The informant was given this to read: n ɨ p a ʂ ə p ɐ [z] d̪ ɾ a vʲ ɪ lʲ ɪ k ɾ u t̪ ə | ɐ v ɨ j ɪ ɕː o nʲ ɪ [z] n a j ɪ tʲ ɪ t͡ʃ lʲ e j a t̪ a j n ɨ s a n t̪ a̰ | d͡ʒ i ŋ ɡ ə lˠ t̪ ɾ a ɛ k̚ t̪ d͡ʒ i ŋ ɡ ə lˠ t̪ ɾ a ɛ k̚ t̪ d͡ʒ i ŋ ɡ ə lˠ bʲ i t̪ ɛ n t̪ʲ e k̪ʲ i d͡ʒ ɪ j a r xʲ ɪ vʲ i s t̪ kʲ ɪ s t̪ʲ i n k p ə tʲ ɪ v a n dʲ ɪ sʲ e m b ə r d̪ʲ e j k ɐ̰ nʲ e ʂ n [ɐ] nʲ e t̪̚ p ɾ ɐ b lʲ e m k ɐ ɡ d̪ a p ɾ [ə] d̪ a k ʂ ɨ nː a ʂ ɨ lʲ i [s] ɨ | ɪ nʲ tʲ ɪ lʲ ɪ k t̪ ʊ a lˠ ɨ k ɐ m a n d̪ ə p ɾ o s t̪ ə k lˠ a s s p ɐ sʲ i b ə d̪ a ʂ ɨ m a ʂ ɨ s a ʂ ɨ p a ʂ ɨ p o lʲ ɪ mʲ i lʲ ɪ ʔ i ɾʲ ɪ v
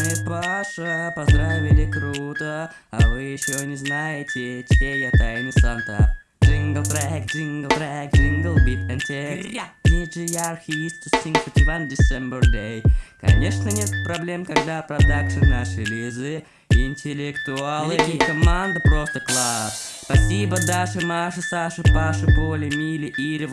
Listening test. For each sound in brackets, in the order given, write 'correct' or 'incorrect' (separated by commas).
correct, correct, incorrect, incorrect, incorrect